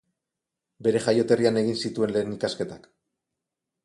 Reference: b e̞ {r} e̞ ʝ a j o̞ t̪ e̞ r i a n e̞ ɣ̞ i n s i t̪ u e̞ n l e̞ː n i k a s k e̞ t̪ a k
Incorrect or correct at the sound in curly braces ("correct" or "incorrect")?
incorrect